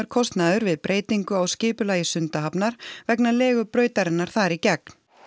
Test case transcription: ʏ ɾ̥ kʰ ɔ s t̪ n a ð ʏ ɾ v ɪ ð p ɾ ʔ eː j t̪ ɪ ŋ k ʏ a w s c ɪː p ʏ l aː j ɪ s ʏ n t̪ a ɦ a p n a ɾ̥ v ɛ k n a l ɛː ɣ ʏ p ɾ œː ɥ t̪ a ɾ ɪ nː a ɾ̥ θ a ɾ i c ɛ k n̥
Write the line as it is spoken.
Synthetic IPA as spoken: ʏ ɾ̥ kʰ ɔ s t̪ n a ð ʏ ɾ v ɪ ð p ɾ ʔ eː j t̪ i ŋ k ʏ a w s c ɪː p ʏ l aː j ɪ s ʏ n t̪ a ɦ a p n a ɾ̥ v ɛ k n a l ɛː ɣ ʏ p ɾ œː ɥ t̪ a ɾ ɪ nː a ɾ̥ θ a ɾ i c ɛ k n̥